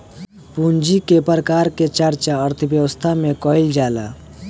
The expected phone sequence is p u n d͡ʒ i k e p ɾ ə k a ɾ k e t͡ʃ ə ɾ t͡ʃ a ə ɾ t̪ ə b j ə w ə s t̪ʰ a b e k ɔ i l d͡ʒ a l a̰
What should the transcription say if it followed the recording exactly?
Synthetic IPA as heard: p u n d͡ʒ i k e p ɾ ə k a ɾ k e t͡ʃ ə ɾ t͡ʃ a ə ɾ t̪ʰ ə b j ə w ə s t̪ʰ a m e k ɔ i l d͡ʒ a l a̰